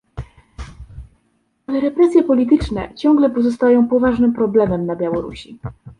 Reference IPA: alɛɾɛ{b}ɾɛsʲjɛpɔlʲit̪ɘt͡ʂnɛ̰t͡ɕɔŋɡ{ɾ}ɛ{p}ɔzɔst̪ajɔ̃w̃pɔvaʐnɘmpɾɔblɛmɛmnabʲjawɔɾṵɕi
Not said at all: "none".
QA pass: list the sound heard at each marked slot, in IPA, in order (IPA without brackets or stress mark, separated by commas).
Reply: p, l, p